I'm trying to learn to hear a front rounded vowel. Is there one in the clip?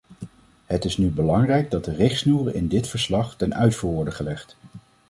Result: yes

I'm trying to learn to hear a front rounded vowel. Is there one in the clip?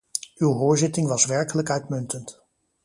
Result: yes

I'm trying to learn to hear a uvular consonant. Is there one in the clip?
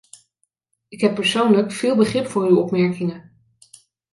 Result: yes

